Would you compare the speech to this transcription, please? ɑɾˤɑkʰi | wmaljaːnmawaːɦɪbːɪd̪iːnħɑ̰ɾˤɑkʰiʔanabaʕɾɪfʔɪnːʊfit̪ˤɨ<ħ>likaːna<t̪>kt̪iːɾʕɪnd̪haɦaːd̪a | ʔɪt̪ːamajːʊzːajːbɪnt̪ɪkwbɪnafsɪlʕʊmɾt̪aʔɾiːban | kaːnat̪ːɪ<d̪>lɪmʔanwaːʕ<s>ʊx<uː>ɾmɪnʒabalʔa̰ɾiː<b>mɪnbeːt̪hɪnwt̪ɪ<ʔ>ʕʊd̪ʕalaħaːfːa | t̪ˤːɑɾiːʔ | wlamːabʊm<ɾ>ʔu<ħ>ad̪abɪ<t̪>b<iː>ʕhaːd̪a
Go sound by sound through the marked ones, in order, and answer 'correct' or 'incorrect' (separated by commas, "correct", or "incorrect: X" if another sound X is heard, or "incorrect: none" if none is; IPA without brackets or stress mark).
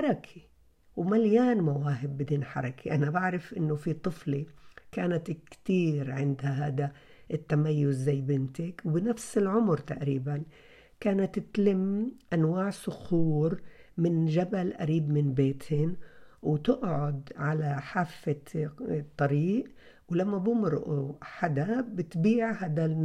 incorrect: f, correct, incorrect: t̪, correct, correct, correct, correct, correct, correct, correct, correct